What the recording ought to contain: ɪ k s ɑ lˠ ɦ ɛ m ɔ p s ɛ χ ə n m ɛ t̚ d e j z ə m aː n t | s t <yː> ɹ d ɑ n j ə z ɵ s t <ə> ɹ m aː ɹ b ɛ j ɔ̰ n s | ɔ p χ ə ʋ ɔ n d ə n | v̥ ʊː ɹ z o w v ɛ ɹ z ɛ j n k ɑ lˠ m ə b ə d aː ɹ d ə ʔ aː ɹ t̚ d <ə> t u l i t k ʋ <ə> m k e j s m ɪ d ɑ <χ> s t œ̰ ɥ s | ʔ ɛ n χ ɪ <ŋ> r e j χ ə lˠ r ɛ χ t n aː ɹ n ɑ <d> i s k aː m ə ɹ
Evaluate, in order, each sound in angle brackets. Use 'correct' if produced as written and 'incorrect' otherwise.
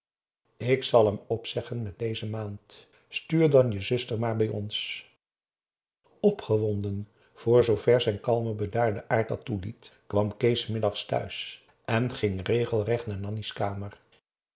correct, correct, incorrect, incorrect, correct, correct, incorrect

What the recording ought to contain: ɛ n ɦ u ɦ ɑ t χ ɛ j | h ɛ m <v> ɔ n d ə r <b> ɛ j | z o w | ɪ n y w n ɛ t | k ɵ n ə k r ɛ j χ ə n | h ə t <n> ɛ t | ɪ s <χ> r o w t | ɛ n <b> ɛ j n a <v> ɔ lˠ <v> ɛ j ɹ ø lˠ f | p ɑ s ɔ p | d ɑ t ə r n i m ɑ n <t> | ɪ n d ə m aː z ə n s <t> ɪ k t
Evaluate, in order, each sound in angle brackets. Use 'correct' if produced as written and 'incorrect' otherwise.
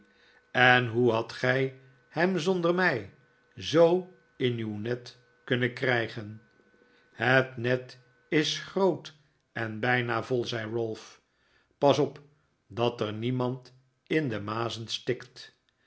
incorrect, incorrect, correct, correct, correct, correct, incorrect, correct, correct

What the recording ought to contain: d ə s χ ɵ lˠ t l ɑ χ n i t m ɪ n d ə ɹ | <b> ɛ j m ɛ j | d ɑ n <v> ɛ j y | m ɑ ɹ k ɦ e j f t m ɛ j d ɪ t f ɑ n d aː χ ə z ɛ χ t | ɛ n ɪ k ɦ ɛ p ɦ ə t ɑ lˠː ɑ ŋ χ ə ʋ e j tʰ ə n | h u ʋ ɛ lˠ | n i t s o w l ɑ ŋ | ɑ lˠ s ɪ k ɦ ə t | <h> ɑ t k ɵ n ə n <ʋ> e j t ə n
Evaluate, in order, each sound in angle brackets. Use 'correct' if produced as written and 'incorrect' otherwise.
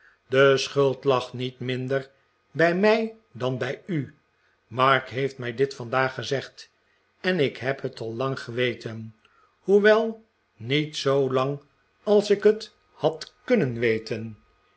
correct, incorrect, correct, correct

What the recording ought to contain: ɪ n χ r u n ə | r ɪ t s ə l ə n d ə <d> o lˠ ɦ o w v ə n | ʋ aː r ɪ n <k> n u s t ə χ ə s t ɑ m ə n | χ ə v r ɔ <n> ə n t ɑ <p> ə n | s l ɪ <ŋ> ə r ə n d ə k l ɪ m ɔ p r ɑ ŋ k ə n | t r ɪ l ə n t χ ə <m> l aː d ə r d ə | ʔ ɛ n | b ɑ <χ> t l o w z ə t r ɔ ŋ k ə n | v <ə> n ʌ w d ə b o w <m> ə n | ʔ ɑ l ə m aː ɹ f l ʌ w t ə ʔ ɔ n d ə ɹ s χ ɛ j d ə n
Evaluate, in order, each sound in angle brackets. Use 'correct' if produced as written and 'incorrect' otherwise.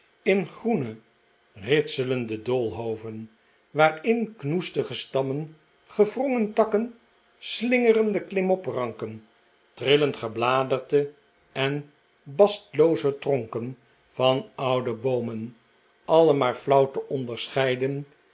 correct, correct, incorrect, incorrect, correct, incorrect, incorrect, incorrect, correct

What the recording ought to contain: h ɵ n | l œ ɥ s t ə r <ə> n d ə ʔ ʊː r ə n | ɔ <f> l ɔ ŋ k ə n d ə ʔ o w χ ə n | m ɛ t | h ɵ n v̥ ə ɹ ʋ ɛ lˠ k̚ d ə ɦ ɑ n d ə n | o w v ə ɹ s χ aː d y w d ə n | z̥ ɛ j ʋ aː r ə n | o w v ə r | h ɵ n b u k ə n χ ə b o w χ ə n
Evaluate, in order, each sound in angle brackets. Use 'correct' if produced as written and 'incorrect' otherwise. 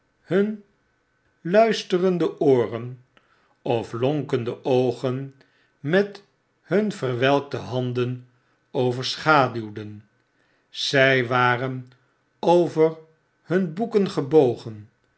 correct, correct

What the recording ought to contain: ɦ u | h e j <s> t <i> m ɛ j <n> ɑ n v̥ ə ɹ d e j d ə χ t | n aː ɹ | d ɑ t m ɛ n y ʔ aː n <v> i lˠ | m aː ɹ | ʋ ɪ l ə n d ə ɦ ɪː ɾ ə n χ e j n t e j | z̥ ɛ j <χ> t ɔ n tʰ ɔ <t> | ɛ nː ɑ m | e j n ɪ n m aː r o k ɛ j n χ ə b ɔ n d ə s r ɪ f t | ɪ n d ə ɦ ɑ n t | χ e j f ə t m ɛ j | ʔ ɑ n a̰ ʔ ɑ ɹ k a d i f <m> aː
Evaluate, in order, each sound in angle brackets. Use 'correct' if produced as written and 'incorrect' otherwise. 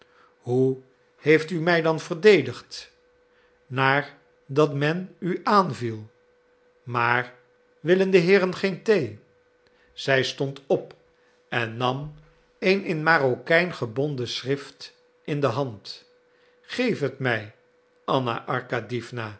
incorrect, incorrect, incorrect, correct, incorrect, incorrect, incorrect

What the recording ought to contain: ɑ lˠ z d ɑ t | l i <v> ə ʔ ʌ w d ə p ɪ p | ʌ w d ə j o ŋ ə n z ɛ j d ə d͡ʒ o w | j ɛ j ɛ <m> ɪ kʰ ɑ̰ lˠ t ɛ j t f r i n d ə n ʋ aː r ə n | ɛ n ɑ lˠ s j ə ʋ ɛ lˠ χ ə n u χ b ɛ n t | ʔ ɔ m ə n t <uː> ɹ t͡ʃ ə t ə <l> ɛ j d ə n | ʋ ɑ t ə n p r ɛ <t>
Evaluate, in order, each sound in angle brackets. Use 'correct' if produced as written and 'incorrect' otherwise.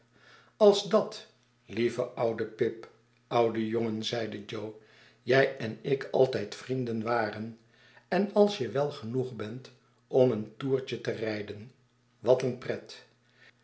correct, incorrect, correct, incorrect, correct

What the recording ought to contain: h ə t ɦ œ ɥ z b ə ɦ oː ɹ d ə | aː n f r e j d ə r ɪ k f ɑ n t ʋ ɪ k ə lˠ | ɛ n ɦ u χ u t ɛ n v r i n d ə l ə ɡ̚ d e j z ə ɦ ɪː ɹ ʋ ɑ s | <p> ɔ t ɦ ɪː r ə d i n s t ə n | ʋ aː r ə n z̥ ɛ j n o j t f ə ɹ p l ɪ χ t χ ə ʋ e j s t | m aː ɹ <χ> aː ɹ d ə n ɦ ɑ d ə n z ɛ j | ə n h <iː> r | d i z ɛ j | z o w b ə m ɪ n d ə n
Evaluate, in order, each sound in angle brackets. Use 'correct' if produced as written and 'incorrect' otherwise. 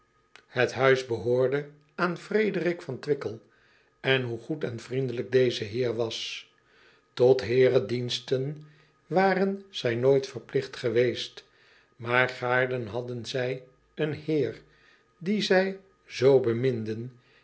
incorrect, correct, incorrect

